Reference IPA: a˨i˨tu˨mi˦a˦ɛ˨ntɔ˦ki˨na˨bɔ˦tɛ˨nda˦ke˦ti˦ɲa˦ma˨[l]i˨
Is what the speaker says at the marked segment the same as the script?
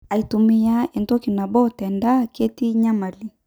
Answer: yes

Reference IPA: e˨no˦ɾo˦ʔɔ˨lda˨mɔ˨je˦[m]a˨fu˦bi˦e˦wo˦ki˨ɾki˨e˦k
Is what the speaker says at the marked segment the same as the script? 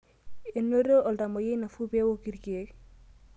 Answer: no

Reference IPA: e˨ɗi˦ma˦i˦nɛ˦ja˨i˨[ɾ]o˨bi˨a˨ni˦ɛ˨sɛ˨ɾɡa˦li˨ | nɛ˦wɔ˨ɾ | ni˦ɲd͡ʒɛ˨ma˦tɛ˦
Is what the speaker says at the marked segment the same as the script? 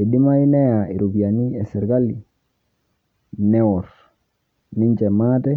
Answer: yes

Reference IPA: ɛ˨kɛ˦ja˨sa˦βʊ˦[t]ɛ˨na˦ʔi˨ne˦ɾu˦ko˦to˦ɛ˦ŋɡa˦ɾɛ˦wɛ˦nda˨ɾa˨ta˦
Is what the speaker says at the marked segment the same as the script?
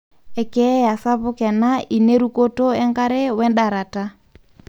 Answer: no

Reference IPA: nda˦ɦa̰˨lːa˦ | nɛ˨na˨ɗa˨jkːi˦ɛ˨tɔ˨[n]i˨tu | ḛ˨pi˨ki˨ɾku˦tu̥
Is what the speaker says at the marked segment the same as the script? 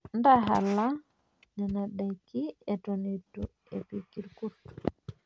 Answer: yes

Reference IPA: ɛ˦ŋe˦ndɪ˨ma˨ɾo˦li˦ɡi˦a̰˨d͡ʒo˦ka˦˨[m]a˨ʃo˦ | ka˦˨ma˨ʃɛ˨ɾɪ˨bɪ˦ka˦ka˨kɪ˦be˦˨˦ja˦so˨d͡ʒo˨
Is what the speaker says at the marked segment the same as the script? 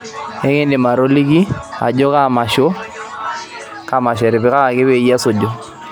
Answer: yes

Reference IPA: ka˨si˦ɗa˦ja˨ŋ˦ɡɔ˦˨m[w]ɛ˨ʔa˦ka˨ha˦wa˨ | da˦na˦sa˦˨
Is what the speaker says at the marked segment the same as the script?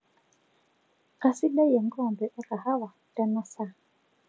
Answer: no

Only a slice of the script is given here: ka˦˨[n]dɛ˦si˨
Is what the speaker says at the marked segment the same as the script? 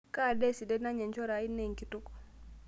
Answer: no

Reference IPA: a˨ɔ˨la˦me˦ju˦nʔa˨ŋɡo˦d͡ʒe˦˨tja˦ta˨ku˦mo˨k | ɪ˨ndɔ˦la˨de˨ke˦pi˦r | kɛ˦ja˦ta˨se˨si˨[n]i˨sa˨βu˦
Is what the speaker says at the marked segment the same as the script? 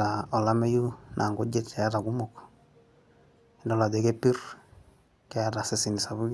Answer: yes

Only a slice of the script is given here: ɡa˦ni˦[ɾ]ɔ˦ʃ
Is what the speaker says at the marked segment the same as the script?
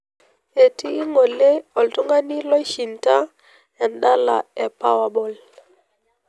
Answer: no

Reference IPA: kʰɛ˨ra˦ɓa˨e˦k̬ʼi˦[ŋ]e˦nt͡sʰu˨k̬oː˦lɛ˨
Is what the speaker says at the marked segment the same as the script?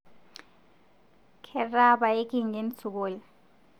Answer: yes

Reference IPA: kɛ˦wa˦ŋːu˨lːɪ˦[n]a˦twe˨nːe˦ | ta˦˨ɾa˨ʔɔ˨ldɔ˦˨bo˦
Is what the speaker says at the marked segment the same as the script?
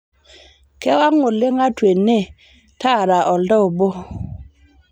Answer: no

